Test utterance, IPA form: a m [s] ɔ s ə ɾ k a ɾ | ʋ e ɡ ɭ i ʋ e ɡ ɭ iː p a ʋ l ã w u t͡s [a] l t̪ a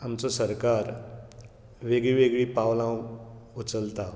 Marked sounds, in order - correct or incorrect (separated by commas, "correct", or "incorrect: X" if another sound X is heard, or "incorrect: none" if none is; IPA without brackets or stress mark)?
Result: incorrect: t͡s, incorrect: ə